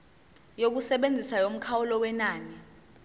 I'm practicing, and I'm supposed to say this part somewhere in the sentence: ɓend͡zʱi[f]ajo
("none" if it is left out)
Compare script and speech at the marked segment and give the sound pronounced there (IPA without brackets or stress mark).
s